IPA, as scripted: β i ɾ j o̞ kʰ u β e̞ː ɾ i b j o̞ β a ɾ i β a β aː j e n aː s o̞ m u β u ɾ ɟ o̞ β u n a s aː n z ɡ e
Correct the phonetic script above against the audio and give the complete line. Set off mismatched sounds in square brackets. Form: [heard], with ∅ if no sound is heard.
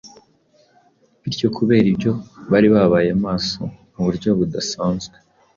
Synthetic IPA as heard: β i ɾ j o̞ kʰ u β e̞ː ɾ i b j o̞ β a ɾ i β a β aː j e [m] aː s o̞ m u β u ɾ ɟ o̞ β u [d] a s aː n z ɡ e

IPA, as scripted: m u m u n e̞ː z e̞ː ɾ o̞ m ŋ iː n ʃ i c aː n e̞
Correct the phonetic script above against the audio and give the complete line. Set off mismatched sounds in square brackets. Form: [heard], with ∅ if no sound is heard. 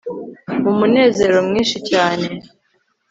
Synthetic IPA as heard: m u m u n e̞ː z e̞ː ɾ o̞ m ŋ iː n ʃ i c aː n e̞

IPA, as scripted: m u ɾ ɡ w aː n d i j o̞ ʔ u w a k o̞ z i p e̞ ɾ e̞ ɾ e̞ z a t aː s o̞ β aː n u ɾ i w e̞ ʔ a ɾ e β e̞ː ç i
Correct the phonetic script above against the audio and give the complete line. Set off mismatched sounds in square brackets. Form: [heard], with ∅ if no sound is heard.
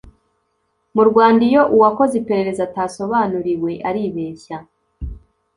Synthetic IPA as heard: m u ɾ ɡ w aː n d i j o̞ ʔ u w a k o̞ z i p e̞ ɾ e̞ ɾ e̞ z a t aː s o̞ β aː n u ɾ i w e̞ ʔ a ɾ [i] β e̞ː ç [a]

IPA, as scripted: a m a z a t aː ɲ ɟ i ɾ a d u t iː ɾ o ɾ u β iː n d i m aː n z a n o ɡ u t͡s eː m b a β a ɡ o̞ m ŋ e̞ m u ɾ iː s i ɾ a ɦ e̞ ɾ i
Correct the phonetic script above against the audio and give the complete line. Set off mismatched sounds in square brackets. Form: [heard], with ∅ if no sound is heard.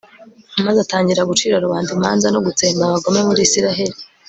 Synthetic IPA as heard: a m a z a t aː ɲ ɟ i ɾ a [ɡ] u [t͡ʃ] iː ɾ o ɾ u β [aː] n d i m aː n z a n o ɡ u t͡s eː m b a β a ɡ o̞ m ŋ e̞ m u ɾ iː s i ɾ a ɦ e̞ ɾ i

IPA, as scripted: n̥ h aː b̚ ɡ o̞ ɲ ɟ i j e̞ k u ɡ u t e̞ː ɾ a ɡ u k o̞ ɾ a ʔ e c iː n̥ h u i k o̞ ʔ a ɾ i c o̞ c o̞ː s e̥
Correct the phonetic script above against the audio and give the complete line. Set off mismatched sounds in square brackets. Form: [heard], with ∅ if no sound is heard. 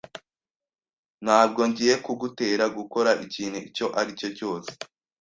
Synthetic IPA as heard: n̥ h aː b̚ ɡ o̞ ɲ ɟ i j e̞ k u ɡ u t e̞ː ɾ a ɡ u k o̞ ɾ a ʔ [i] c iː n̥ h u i [c] o̞ ʔ a ɾ i c o̞ c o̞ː s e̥

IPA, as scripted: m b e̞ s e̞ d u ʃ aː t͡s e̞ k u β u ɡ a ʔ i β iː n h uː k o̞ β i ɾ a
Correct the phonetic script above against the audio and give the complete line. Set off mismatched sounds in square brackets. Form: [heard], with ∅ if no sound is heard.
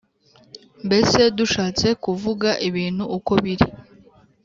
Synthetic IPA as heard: m b e̞ s e̞ d u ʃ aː t͡s e̞ k u [v] u ɡ a ʔ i β iː n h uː k o̞ β i ɾ [i]

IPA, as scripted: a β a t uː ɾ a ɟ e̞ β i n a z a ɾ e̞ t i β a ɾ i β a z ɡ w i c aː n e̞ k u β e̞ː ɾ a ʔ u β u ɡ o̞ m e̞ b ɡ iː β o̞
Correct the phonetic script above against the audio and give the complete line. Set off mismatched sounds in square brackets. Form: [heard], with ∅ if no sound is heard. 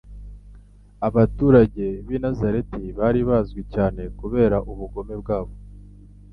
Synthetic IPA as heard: a β a t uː ɾ a ɟ e̞ β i n a z a ɾ e̞ t i β a ɾ i β a z ɡ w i c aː n e̞ k u β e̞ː ɾ a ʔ u β u ɡ o̞ m e̞ b ɡ [aː] β o̞

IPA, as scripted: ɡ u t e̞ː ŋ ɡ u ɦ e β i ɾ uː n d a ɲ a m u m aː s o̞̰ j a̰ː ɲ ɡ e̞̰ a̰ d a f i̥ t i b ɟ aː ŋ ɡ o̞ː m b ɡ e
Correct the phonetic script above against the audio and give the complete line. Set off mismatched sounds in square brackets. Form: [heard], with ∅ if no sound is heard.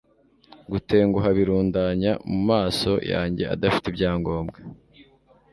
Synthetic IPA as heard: ɡ u t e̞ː ŋ ɡ u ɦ [a] β i ɾ uː n d a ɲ a m u m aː s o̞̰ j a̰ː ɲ [ɟ] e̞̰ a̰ d a f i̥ t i b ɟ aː ŋ ɡ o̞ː m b ɡ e

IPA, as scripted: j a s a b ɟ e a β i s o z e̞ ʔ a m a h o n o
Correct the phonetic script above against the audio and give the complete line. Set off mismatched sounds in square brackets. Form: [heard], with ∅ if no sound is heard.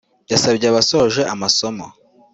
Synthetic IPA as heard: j a s a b ɟ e a β [a] s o [ʒ] e̞ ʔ a m a [s] o [m] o

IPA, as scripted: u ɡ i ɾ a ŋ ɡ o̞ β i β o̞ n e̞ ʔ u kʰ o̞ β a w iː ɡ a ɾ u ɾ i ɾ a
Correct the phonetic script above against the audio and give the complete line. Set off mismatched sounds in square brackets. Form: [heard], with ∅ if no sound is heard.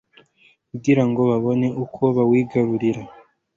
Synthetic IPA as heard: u ɡ i ɾ a ŋ ɡ o̞ β [a] β o̞ n e̞ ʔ u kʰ o̞ β a w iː ɡ a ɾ u ɾ i ɾ a

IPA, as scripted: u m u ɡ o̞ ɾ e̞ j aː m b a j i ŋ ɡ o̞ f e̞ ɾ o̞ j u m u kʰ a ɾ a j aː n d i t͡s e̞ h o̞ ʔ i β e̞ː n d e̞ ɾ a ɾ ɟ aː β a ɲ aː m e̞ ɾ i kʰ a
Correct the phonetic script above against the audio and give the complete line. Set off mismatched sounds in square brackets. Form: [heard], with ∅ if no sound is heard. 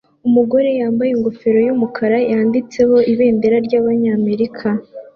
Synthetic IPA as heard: u m u ɡ o̞ ɾ e̞ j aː m b a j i ŋ ɡ o̞ f e̞ ɾ o̞ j u m u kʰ a ɾ a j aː n d i t͡s e̞ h o̞ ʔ i β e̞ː n d e̞ ɾ a ɾ ɟ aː β a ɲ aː m e̞ ɾ i kʰ a

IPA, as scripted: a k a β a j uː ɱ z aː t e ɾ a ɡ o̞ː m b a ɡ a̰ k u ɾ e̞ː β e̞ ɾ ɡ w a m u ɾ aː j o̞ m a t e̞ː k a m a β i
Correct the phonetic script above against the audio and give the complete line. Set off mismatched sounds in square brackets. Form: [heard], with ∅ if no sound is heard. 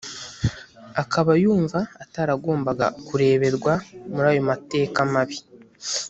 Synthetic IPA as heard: a k a β a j uː ɱ [v] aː t [a] ɾ a ɡ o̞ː m b a ɡ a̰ k u ɾ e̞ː β e̞ ɾ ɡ w a m u ɾ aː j o̞ m a t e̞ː k a m a β i

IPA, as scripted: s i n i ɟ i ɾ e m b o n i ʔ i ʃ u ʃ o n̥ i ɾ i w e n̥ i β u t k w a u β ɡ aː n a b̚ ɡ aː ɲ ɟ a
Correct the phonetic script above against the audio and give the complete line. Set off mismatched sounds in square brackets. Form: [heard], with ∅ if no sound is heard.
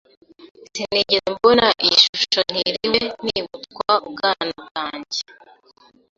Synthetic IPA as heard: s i n i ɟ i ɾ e m b o n [a] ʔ i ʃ u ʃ o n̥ i ɾ i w e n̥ i β u t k w a u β ɡ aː n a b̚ ɡ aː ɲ ɟ [e]

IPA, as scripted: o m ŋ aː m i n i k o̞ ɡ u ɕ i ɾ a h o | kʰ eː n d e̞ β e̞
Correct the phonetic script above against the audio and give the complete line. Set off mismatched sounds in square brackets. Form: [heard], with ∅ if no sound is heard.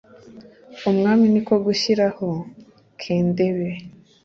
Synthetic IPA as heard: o m ŋ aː m i n i k o̞ ɡ u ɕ i ɾ a h o | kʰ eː n d e̞ β e̞

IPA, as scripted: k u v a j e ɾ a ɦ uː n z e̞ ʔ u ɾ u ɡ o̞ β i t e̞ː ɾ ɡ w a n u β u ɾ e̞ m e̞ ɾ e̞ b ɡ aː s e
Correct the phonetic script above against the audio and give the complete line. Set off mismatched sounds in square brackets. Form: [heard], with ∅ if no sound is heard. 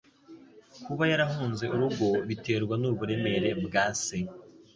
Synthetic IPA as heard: k u [β] a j [a] ɾ a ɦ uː n z e̞ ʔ u ɾ u ɡ o̞ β i t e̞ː ɾ ɡ w a n u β u ɾ e̞ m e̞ ɾ e̞ b ɡ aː s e

